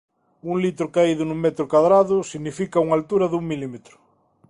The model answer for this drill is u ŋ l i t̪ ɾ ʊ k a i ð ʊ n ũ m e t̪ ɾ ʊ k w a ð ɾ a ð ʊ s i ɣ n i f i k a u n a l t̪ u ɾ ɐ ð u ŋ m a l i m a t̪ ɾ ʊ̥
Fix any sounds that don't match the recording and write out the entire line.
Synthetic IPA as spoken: u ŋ l i t̪ ɾ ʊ k a i ð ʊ n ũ m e t̪ ɾ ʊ k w a ð ɾ a ð ʊ s i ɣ n i f i k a u ŋ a l t̪ u ɾ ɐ ð u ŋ m i l i m e t̪ ɾ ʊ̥